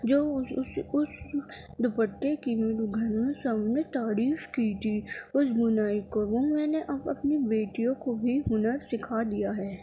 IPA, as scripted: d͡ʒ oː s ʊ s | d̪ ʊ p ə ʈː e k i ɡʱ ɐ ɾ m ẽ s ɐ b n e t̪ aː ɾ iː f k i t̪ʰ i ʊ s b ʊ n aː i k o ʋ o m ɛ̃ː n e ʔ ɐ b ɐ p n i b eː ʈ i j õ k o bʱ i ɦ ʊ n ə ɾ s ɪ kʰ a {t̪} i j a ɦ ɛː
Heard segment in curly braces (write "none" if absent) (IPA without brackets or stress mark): d̪